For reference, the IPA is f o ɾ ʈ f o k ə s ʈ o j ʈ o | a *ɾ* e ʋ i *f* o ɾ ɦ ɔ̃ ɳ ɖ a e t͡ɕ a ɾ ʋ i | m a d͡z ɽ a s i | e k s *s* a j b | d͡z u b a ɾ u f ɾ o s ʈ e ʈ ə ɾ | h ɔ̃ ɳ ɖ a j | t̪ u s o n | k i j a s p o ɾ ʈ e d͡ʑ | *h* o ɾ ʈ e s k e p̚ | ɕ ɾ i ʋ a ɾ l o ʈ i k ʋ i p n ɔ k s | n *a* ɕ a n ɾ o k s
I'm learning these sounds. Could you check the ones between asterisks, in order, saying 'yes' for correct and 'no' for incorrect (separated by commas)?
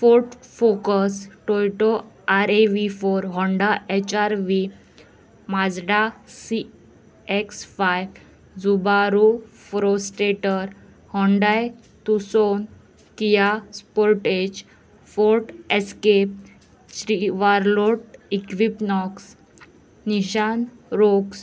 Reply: yes, yes, no, no, no